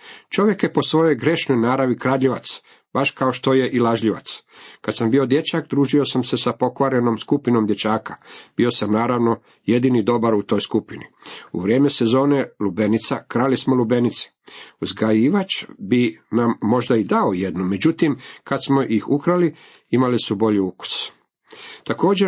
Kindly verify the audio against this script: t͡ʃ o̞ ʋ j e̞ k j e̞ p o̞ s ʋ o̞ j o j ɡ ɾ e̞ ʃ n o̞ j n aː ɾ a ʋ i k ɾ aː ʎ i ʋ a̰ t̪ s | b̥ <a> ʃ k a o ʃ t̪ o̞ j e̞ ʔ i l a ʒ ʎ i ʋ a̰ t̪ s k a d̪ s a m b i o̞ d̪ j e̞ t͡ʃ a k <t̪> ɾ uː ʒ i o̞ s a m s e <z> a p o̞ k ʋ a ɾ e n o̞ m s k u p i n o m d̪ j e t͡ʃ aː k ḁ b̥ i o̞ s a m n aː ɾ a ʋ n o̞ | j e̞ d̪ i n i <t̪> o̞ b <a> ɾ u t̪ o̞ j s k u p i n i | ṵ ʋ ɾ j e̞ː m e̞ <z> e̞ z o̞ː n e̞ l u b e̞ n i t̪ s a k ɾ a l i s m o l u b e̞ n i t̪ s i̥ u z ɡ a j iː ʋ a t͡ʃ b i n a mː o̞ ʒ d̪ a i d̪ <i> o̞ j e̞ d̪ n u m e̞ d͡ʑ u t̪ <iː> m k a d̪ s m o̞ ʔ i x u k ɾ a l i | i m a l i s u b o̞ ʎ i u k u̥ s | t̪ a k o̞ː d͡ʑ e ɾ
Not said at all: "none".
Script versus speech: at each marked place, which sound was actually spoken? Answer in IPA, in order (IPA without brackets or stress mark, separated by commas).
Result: a, d̪, s, d̪, a, s, a, i